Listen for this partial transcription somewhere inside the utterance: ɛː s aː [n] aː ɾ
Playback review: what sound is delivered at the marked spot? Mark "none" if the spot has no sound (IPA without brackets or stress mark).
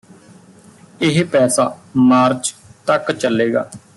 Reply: m